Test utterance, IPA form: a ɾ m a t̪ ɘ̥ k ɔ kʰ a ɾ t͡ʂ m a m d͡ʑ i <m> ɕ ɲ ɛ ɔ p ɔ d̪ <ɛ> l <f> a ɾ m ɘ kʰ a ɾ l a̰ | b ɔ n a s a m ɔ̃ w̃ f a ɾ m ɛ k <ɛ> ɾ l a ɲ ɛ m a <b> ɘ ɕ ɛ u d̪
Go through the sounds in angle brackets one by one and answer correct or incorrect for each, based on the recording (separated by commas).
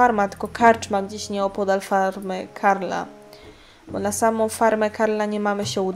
incorrect, incorrect, correct, incorrect, incorrect